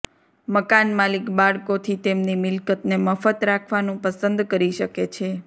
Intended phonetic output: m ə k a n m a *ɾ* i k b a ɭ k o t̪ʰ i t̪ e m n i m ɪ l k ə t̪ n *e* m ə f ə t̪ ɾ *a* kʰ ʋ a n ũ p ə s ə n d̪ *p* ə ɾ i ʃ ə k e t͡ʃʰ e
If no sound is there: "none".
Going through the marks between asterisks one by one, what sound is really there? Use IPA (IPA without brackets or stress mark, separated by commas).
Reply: l, e, a, k